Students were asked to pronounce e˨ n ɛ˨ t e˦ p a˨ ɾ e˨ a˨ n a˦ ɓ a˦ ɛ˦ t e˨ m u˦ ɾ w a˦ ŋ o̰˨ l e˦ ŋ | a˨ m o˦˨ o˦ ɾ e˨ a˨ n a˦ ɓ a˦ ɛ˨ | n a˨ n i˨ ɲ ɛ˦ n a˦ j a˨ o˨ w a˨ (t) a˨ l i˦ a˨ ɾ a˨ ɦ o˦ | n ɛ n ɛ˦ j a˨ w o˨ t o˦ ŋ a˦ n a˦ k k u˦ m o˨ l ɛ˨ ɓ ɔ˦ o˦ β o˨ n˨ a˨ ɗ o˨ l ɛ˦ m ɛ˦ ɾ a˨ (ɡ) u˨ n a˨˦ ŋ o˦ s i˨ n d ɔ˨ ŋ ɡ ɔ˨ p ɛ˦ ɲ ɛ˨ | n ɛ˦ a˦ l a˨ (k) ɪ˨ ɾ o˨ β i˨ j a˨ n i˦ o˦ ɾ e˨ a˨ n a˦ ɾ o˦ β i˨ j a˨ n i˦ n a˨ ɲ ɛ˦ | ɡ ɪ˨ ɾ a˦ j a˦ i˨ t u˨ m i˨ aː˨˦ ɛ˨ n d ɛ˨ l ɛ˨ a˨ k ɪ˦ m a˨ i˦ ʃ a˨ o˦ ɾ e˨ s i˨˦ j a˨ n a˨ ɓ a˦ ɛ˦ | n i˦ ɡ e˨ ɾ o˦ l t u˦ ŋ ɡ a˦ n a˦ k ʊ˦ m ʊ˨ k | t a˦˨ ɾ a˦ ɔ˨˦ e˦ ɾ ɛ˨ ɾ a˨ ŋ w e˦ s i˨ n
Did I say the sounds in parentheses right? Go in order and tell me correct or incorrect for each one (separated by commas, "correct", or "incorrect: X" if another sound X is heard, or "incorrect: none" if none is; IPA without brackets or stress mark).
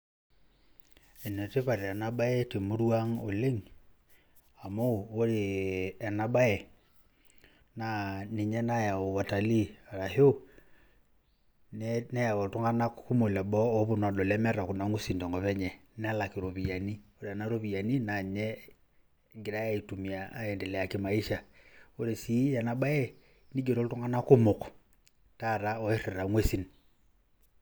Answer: correct, incorrect: k, correct